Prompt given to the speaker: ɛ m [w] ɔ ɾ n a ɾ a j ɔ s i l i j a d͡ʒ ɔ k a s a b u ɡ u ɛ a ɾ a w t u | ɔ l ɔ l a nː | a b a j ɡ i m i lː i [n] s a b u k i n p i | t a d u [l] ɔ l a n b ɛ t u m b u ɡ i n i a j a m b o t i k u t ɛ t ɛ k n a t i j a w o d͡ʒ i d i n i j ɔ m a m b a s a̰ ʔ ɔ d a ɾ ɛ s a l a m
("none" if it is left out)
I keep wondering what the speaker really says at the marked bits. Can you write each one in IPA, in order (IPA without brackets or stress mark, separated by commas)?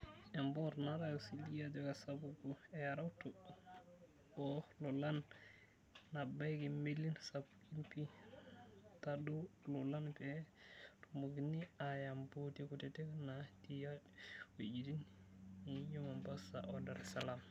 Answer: b, n, l